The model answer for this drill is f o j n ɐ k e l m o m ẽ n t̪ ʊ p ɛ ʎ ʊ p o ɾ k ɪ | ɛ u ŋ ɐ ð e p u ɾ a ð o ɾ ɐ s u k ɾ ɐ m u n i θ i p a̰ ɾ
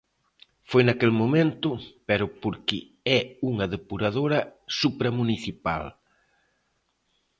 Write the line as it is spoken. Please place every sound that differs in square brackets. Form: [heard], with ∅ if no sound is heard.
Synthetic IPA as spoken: f o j n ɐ k e l m o m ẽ n t̪ ʊ p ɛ [ɾ] ʊ p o ɾ k ɪ | ɛ u ŋ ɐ ð e p u ɾ a ð o ɾ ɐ s u [p] ɾ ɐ m u n i θ i p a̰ [l]